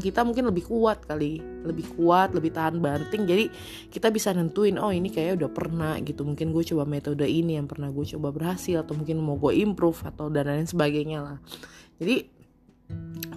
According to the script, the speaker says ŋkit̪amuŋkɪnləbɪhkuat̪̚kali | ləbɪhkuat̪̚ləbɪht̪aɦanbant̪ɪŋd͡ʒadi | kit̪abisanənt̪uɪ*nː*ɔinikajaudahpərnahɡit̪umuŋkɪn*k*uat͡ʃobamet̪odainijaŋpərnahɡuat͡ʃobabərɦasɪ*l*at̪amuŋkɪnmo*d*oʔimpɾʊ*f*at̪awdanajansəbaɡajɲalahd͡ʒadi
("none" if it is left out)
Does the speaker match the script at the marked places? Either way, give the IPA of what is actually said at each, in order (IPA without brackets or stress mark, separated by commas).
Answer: n, ɡ, l, ɡ, f